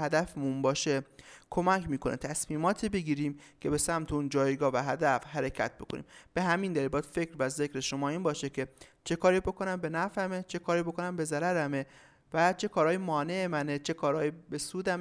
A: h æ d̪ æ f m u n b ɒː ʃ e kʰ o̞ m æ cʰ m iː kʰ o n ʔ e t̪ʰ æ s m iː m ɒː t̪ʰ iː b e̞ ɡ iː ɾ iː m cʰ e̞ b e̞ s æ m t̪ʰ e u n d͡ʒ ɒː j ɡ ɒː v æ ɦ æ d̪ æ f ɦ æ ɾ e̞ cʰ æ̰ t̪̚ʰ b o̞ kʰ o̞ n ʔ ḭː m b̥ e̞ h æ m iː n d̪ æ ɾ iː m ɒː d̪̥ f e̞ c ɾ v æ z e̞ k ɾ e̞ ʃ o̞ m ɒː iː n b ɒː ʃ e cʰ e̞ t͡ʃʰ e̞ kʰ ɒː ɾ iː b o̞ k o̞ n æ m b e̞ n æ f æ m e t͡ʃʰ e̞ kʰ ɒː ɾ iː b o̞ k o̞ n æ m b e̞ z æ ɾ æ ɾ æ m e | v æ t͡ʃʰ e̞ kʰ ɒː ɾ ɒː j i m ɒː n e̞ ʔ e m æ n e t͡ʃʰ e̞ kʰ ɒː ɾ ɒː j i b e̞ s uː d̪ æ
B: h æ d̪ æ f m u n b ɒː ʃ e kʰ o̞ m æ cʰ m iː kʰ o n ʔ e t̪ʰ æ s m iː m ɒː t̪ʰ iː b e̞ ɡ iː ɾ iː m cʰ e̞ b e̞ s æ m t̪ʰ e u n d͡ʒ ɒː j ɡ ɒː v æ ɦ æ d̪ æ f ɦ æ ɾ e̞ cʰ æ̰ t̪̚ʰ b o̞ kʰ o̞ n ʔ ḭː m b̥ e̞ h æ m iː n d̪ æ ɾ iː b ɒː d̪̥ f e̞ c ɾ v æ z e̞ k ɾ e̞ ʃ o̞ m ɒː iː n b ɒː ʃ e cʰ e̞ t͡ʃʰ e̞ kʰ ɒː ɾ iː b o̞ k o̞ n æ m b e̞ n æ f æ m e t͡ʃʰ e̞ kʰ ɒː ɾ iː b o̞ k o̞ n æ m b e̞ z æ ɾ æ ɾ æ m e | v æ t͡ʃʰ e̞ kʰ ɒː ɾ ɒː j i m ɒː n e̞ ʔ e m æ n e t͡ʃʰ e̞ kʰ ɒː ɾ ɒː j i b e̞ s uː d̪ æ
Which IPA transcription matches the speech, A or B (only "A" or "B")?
B